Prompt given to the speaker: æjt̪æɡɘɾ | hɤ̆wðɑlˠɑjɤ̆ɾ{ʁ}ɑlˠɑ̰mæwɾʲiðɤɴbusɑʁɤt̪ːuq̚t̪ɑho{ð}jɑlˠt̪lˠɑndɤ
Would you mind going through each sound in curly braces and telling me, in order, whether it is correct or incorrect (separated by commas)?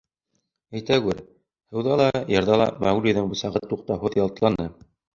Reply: incorrect, correct